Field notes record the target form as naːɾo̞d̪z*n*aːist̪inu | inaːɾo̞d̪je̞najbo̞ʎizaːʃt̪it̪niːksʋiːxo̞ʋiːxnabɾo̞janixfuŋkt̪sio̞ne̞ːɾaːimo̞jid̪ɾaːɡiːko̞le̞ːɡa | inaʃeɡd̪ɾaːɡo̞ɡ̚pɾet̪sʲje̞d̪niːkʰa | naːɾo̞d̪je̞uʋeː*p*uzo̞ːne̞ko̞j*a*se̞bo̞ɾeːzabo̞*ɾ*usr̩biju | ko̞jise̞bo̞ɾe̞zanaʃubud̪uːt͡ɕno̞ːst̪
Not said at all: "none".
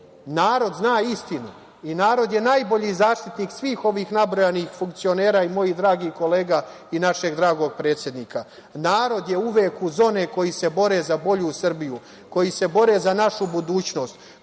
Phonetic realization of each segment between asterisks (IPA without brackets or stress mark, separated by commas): n, k, i, ʎ